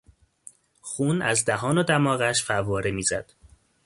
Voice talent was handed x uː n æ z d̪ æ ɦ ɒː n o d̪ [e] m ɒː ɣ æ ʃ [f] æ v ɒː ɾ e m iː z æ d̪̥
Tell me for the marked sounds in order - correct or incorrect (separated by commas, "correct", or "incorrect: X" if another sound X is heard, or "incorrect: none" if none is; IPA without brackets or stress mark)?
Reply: incorrect: æ, correct